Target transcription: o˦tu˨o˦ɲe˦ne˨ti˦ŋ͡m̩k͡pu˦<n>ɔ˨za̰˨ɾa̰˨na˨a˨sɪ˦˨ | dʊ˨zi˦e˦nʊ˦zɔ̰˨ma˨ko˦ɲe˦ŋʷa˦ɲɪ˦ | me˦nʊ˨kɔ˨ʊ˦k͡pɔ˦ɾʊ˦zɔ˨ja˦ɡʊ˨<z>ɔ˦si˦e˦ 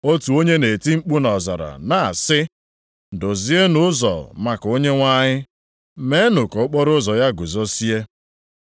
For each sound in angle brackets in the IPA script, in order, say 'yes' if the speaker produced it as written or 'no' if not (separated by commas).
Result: yes, yes